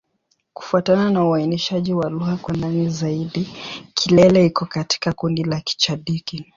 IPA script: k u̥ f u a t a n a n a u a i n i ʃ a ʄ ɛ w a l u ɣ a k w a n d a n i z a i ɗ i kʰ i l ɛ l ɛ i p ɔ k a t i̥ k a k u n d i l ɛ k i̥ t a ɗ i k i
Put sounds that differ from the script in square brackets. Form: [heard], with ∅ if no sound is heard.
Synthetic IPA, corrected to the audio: k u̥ f u a t a n a n a u a i n i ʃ a ʄ [i] w a l u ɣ a k w a n d a n i z a i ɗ i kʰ i l ɛ l ɛ i [k] ɔ k a t i̥ k a k u n d i l [a] k i̥ [t͡ʃ] a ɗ i k i